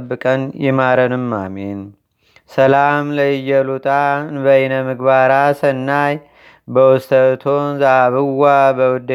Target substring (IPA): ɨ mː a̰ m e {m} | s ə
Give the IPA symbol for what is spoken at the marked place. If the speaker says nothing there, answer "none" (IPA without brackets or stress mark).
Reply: n